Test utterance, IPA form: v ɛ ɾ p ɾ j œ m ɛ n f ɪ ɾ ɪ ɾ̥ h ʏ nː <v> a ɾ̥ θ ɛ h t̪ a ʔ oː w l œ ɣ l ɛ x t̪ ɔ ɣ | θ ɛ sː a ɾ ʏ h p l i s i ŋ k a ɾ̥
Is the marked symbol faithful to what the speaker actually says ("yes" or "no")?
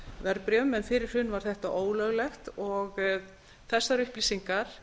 yes